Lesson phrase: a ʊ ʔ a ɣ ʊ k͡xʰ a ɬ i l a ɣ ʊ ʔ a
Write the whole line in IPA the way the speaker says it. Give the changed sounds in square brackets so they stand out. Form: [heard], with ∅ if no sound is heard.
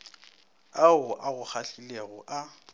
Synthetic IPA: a ʊ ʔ a ɣ ʊ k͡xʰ a ɬ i l [e] ɣ ʊ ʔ a